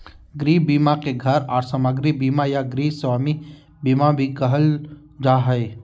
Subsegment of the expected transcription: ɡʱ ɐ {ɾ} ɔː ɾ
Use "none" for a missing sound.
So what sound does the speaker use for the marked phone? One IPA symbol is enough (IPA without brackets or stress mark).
ɾ